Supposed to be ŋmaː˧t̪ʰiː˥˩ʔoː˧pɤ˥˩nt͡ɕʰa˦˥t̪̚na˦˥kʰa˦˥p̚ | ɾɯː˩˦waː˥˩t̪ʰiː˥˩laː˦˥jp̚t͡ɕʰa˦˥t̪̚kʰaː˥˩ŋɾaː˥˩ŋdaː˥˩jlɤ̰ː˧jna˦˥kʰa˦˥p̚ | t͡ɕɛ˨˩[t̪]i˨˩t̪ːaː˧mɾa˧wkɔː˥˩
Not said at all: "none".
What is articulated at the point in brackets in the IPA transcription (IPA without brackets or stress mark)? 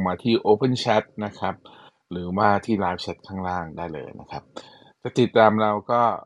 t̪